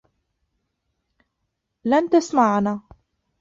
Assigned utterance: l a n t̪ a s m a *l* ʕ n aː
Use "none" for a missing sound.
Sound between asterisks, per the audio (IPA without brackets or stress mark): none